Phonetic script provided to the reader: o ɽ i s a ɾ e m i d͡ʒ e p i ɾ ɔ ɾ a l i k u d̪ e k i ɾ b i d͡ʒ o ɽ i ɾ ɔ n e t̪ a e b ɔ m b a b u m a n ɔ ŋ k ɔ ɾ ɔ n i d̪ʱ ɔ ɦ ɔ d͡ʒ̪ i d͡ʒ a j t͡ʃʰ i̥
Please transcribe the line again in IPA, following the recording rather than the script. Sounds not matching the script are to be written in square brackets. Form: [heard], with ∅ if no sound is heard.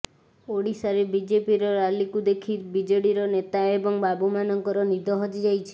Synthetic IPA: o ɽ i s a ɾ e [b] i d͡ʒ e p i ɾ ɔ ɾ a l i k u d̪ e [kʰ] i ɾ b i d͡ʒ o ɽ i ɾ ɔ n e t̪ a e b ɔ [ŋ] b a b u m a n ɔ ŋ k ɔ ɾ ɔ n i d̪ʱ ɔ ɦ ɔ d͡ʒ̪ i d͡ʒ a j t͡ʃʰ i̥